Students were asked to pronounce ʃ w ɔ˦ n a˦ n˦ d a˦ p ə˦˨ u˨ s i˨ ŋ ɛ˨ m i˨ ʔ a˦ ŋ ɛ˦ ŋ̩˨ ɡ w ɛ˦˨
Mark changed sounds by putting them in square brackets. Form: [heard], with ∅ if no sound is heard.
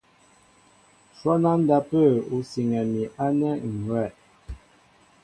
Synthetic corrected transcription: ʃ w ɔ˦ n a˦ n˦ d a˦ p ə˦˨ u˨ s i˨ ŋ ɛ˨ m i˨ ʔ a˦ [n] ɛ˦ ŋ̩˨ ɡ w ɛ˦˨